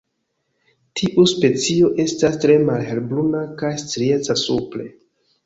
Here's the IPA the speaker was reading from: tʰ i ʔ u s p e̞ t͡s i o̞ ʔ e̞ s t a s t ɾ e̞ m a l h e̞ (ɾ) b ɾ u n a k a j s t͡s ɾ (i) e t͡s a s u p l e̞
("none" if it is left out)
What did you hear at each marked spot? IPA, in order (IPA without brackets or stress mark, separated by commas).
l, i